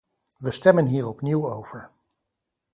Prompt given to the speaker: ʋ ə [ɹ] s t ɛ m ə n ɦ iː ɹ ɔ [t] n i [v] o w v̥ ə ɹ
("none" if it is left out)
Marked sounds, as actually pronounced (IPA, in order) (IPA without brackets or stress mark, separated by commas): none, p, w